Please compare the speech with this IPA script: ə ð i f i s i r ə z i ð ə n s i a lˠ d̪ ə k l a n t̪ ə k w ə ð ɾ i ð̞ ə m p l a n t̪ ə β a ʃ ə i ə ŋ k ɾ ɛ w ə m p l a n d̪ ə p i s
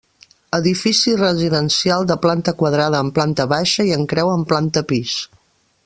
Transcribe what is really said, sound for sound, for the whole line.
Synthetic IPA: ə ð i f i s i r ə z i ð ə n s i a lˠ d̪ ə p l a n t̪ ə k w ə ð ɾ a ð̞ əː m p l a n t̪ ə β a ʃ ə i ə ŋ k ɾ ɛ w ə m p l a n t̪ ə p i s